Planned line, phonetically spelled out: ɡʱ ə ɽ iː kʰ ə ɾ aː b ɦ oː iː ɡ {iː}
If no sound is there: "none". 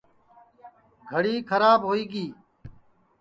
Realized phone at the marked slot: iː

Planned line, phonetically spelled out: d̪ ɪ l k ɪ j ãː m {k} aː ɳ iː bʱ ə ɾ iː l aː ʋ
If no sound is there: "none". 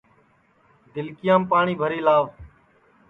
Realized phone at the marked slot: p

